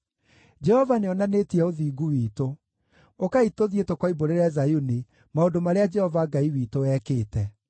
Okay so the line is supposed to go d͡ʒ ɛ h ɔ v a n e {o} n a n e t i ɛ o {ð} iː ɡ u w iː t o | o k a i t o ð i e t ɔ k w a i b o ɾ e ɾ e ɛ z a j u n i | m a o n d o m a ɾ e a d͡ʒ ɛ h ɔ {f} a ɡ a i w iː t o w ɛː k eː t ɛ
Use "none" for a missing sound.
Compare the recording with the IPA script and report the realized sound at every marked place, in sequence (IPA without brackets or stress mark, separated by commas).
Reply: ɔ, ð, v